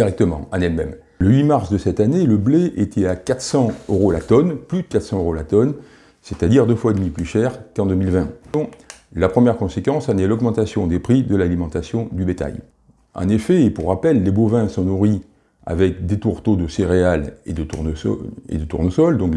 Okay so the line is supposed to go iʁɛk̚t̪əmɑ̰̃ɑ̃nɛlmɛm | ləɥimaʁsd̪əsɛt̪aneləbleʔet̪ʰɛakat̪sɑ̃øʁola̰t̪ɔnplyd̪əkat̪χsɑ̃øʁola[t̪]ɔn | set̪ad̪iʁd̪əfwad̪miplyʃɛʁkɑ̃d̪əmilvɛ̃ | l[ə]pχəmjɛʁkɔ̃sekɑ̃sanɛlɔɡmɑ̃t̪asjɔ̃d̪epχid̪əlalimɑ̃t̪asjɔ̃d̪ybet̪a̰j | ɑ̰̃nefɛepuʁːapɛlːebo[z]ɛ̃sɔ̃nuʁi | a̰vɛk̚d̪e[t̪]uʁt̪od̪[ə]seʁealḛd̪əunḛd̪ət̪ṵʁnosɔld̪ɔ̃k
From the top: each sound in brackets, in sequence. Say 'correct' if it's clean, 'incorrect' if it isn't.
correct, incorrect: a, incorrect: v, correct, correct

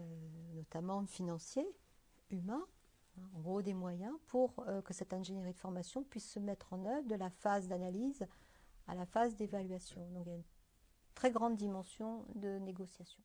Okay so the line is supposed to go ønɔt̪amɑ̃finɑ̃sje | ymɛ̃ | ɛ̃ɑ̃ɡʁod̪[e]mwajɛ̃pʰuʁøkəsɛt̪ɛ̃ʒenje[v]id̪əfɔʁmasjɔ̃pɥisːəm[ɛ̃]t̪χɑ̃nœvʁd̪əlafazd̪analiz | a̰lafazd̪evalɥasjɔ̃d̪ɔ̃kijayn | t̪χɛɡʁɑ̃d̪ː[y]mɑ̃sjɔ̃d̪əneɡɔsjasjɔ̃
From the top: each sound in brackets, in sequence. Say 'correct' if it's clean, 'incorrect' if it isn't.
correct, incorrect: ʁ, incorrect: ɛ, incorrect: i

